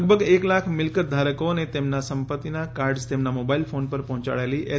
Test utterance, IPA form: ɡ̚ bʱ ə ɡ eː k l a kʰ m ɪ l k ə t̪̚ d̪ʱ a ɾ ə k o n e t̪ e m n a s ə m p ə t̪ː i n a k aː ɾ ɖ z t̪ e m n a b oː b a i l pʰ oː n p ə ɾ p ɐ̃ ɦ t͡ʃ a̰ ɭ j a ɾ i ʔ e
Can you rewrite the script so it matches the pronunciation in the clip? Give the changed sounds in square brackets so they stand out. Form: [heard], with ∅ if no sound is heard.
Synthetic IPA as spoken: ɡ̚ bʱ ə ɡ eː k l a kʰ m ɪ l k ə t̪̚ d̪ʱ a ɾ ə k o n e t̪ e m n a s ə m p ə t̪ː i n a k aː ɾ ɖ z t̪ e m n a [m] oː b a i l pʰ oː n p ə ɾ p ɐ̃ ɦ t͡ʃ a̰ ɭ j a [l] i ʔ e